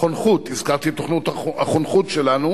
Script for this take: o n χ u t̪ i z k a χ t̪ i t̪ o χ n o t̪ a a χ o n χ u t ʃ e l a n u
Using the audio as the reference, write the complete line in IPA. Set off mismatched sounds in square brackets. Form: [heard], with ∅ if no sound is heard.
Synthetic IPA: o n χ u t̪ i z k a [ʁ] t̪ i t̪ o χ n [u] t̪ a a χ o n χ u t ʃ e l a n u